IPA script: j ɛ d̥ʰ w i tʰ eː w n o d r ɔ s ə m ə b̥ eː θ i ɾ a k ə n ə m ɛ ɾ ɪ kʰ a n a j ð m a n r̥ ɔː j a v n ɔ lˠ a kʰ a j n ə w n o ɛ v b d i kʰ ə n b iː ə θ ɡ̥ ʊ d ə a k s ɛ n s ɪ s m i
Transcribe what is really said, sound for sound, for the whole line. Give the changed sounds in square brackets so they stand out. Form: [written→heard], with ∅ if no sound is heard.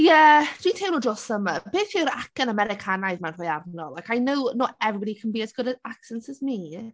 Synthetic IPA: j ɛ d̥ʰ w i tʰ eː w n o d r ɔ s ə m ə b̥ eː θ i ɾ a k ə n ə m ɛ ɾ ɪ kʰ a n a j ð m a n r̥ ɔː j a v n ɔ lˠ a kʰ a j n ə w n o ɛ v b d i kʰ ə n b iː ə [θ→s] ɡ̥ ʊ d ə a k s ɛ n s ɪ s m i